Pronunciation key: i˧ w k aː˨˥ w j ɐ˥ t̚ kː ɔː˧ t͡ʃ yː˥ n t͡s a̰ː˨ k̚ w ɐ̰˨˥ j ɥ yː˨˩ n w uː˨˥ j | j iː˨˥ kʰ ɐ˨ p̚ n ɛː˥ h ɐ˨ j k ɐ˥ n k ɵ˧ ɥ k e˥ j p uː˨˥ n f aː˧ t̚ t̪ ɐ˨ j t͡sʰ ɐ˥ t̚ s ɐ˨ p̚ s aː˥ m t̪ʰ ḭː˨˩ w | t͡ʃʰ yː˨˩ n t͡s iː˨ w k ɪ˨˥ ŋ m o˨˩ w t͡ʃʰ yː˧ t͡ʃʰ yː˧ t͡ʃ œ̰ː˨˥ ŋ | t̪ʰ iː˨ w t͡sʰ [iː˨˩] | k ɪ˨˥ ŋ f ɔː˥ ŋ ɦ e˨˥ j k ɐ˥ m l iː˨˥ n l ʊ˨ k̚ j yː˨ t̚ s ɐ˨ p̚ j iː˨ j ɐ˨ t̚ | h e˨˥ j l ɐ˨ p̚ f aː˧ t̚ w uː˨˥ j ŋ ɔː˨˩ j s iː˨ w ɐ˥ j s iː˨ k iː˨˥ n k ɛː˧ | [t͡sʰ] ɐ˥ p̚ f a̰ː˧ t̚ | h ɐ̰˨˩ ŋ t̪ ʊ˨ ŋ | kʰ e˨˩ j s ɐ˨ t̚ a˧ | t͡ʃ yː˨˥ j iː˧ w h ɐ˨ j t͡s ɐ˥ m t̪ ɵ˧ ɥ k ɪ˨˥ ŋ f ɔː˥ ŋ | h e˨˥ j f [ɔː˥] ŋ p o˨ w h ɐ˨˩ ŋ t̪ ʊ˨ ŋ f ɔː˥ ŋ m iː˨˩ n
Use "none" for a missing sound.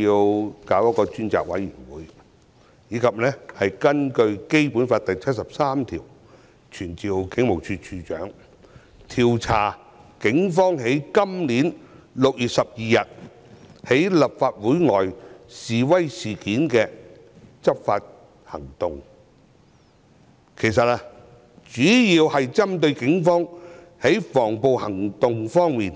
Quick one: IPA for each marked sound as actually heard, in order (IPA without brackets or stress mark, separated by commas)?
aː˨˩, t͡s, ɔː˨˩